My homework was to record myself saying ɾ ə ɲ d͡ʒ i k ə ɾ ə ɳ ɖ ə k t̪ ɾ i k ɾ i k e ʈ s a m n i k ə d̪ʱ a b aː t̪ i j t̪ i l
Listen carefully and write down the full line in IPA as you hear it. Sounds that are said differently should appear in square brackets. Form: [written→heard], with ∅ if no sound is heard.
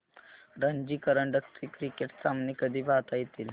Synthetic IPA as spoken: ɾ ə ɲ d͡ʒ i k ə ɾ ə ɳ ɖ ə k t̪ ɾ i k ɾ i k e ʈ s a m n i k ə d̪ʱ [a→i] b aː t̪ [i→a] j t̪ i l